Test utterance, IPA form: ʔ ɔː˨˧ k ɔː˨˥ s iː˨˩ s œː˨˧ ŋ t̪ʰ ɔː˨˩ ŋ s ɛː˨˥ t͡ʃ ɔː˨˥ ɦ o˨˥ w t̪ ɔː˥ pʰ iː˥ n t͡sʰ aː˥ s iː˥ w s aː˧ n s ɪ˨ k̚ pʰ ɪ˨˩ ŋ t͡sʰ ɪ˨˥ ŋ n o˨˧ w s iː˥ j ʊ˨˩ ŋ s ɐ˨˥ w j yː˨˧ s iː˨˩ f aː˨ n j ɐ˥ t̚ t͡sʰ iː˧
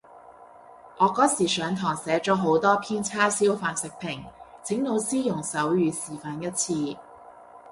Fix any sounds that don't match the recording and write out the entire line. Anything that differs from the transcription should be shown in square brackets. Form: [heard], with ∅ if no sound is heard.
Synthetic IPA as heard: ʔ ɔː˨˧ k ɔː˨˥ s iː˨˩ s œː˨˧ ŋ t̪ʰ ɔː˨˩ ŋ s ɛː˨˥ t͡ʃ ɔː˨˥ ɦ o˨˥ w t̪ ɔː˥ pʰ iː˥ n t͡sʰ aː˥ s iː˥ w [f] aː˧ n s ɪ˨ k̚ pʰ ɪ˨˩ ŋ t͡sʰ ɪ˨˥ ŋ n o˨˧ w s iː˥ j ʊ˨˩ ŋ s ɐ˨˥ w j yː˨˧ s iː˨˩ f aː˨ n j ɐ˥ t̚ t͡sʰ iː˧